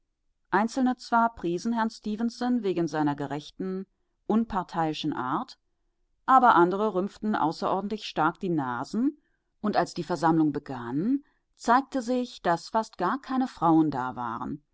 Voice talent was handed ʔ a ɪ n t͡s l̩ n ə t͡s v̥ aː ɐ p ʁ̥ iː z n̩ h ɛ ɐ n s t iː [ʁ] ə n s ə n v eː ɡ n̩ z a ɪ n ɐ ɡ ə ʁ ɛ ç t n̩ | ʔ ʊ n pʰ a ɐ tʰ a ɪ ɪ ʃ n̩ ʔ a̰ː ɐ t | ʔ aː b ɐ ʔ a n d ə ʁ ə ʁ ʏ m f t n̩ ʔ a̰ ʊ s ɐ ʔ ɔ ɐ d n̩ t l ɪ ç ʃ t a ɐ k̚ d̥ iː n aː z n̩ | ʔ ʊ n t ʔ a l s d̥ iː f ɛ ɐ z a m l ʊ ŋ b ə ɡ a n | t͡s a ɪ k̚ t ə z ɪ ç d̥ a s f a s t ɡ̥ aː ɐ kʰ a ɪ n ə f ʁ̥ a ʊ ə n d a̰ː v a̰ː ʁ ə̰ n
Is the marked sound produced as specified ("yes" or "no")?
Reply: no